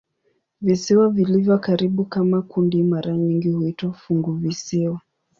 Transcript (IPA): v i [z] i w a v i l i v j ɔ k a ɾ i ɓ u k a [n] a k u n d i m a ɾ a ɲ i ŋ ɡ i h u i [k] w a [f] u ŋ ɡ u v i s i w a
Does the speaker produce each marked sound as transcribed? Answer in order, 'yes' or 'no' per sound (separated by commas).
no, no, no, yes